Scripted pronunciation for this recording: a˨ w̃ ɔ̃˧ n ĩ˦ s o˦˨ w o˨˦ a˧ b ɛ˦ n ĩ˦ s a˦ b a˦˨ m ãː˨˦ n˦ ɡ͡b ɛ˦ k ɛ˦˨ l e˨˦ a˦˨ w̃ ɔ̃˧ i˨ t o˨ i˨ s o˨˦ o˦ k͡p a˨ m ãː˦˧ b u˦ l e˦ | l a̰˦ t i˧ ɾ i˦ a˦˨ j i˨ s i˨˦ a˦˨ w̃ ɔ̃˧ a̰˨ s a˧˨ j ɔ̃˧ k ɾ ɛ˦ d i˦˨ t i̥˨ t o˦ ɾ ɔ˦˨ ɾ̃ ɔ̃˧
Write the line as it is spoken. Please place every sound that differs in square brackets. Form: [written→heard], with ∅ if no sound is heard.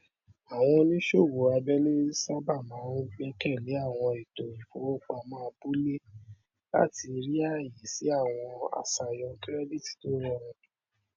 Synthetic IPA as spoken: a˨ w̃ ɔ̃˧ n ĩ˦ [s→ʃ] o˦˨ w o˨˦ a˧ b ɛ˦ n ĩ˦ s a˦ b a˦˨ m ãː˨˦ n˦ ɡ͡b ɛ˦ k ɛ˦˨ l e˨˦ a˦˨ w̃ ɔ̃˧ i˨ t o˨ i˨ [s→f] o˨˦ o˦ k͡p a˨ m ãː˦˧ b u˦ l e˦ | l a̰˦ t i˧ ɾ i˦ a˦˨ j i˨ s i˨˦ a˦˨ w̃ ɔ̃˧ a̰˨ s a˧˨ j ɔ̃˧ k ɾ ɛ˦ d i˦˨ t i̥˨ t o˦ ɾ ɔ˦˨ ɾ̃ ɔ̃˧

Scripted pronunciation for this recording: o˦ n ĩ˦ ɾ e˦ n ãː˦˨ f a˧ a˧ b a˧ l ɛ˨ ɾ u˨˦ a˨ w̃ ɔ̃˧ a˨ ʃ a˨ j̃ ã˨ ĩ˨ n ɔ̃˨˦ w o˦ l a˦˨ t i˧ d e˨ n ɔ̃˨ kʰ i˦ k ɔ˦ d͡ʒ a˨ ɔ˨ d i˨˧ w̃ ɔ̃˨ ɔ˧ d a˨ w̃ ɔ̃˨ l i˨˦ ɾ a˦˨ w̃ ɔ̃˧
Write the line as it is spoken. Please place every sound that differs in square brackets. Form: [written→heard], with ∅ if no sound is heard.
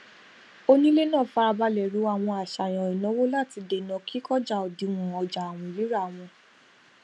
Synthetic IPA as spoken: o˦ n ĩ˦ [ɾ→l] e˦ n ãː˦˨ f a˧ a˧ b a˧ l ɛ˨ ɾ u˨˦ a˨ w̃ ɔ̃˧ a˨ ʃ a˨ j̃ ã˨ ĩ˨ n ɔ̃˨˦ w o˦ l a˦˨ t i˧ d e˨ n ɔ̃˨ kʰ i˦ k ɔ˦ d͡ʒ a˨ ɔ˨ d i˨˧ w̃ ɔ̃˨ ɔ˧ [d→d͡ʒ] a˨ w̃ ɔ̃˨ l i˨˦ ɾ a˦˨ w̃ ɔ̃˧

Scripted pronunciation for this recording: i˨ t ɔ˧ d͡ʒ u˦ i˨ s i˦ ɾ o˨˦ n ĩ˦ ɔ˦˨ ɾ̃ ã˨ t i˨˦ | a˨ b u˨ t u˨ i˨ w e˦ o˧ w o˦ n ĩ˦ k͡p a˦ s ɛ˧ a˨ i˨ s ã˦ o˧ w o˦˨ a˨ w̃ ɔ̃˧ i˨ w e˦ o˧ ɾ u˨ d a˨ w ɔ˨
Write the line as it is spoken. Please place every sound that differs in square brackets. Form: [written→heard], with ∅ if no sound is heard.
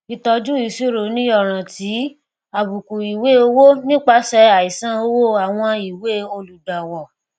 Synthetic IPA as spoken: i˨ t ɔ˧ d͡ʒ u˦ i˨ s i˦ ɾ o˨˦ n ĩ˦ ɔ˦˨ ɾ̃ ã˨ t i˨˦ | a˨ b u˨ [t→k] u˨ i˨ w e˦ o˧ w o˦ n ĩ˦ k͡p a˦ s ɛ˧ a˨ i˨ s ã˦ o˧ w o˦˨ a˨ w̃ ɔ̃˧ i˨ w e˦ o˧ [ɾ→l] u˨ d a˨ w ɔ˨

